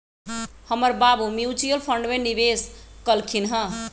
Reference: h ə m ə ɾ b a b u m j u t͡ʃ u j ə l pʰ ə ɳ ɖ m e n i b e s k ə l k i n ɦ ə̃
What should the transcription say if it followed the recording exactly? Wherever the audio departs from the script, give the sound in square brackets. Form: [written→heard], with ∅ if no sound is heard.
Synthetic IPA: h ə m ə ɾ b a b u m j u t͡ʃ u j ə l pʰ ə ɳ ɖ m e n i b e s k ə l [k→kʰ] i n ɦ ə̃